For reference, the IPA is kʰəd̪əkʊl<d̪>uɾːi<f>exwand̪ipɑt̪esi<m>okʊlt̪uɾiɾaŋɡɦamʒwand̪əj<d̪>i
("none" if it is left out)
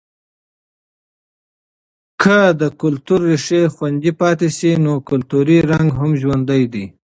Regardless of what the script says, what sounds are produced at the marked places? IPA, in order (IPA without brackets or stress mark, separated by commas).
t̪, ʂ, n, d̪